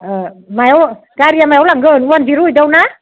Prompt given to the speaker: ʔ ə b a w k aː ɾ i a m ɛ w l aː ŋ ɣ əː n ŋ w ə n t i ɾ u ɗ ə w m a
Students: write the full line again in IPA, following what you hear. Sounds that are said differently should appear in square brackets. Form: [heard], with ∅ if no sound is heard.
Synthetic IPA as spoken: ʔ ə [m] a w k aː ɾ i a m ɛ w l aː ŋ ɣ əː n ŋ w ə n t i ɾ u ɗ ə w [n] a